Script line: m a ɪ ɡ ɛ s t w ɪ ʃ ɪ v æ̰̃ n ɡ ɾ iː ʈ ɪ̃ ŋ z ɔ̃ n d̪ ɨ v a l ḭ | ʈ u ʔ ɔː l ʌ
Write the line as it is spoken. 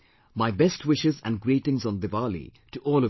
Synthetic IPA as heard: m a ɪ b ɛ s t w ɪ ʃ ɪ z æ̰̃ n ɡ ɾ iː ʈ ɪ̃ ŋ z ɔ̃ n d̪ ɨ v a l ḭ | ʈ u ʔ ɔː l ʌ